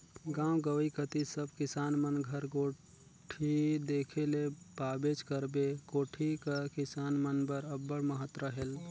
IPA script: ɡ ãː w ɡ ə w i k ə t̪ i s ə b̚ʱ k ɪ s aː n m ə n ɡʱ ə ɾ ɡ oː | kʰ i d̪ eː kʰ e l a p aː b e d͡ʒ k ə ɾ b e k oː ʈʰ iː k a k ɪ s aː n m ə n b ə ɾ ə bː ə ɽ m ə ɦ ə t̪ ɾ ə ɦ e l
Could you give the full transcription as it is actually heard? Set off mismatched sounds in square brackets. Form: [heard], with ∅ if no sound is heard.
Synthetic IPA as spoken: ɡ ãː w ɡ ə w i k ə t̪ i s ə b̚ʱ k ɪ s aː n m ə n ɡʱ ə ɾ ɡ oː | [ʈʰ] i d̪ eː kʰ e l [e] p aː b e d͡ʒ k ə ɾ b e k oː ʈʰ [i] k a k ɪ s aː n m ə n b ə ɾ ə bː ə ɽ m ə ɦ ə t̪ ɾ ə ɦ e l